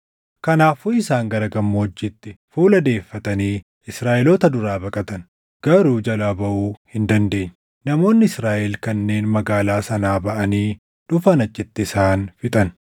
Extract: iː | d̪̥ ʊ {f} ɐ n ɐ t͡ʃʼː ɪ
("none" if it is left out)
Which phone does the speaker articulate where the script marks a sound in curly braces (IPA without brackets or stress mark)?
f